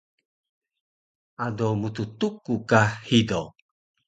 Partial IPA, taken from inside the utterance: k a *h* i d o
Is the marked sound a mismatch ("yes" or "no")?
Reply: no